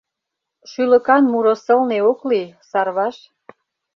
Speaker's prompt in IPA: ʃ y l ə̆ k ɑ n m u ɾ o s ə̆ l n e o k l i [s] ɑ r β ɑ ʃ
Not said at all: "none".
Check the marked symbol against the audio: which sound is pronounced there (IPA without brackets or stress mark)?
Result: s